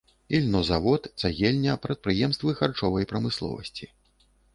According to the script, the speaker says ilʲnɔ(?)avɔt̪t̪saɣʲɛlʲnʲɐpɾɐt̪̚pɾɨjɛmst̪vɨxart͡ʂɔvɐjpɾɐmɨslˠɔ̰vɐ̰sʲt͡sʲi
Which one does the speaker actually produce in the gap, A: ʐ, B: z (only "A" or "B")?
B